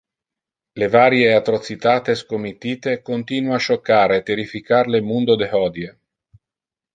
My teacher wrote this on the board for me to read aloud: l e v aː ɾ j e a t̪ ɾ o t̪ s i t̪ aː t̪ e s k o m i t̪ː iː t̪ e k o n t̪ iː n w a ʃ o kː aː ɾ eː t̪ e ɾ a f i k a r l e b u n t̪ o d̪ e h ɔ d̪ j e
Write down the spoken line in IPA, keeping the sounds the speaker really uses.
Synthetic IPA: l e v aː ɾ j e a t̪ ɾ o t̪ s i t̪ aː t̪ e s k o m i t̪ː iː t̪ e k o n t̪ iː n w a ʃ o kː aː ɾ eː t̪ e ɾ i f i k a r l e m u n d̪ o d̪ e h ɔ d̪ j e